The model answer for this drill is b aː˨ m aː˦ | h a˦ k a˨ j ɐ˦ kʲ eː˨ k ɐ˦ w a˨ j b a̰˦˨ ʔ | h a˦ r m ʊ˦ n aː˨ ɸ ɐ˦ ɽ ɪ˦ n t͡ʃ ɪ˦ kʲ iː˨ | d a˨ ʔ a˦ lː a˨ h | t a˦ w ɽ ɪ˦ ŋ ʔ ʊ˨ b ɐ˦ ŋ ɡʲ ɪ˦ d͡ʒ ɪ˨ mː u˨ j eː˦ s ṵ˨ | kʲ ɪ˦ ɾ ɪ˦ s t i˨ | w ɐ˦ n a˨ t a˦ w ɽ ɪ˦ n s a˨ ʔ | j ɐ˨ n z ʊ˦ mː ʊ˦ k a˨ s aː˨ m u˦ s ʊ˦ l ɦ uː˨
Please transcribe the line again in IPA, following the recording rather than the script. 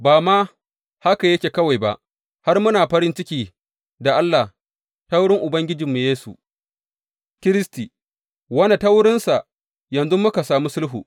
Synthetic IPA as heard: b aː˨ m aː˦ | h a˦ k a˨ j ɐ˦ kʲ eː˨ k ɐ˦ w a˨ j b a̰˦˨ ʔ | h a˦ r m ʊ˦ n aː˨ ɸ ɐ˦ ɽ ɪ˦ n t͡ʃ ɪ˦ kʲ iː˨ | d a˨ ʔ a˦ lː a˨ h | t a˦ w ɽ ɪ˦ ŋ ʔ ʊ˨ b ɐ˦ ŋ ɡʲ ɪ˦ d͡ʒ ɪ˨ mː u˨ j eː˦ s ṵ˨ | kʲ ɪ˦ ɾ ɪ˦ s t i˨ | w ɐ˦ n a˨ t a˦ w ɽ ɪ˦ n s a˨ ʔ | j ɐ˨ n z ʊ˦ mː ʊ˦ k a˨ s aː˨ m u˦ s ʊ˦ l ɦ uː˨